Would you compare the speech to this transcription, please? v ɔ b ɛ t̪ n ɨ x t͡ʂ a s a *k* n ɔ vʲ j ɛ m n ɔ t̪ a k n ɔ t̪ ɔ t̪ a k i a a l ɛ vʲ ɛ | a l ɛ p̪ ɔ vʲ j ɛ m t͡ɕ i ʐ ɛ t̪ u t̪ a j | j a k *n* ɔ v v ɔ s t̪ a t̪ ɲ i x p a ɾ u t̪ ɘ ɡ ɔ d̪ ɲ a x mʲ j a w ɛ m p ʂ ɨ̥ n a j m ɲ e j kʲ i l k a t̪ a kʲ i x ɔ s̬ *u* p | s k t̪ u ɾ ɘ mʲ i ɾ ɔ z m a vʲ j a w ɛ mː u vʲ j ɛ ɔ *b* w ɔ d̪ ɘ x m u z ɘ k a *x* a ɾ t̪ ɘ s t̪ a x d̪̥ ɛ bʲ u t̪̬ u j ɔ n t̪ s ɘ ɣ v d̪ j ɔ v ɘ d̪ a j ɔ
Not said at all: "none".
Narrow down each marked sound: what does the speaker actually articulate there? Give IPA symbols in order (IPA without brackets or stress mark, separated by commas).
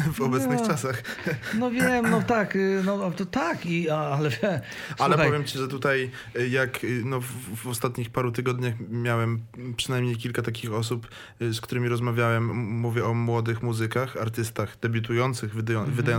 x, n, u, m, x